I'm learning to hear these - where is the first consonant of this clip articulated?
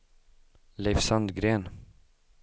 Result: tongue tip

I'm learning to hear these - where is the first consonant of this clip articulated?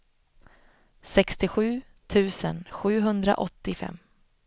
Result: tongue tip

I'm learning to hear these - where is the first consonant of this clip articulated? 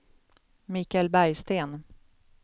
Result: lips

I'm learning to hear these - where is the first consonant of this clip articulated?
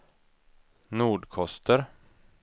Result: tongue tip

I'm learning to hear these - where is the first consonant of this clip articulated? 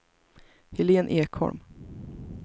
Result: throat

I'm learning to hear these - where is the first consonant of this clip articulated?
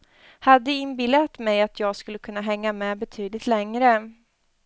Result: throat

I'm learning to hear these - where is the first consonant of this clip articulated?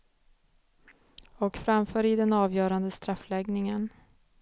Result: velum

